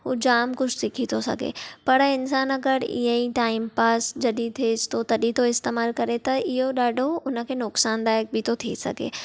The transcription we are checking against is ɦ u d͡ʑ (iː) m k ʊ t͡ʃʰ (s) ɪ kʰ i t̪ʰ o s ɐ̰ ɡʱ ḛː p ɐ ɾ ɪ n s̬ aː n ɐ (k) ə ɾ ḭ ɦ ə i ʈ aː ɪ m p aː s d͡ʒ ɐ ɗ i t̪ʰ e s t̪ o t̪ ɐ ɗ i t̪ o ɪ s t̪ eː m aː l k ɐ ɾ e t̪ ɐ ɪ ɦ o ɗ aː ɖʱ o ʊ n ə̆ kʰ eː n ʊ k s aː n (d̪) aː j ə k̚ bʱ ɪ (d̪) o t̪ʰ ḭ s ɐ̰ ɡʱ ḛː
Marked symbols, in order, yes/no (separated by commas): no, yes, no, yes, no